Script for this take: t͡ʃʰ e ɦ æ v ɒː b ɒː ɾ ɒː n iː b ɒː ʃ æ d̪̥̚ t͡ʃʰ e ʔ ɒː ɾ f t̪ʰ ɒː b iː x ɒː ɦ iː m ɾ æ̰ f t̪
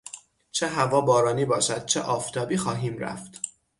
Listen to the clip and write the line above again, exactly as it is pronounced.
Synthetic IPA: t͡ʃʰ e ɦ æ v ɒː b ɒː ɾ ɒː n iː b ɒː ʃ æ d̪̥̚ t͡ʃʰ e ʔ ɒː f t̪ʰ ɒː b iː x ɒː ɦ iː m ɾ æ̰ f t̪